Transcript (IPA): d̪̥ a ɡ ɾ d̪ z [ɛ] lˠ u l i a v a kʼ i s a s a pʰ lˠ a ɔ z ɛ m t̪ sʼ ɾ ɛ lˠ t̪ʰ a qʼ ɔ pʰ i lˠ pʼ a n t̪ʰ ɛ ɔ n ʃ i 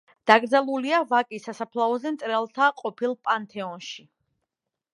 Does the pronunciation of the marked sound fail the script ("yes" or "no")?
yes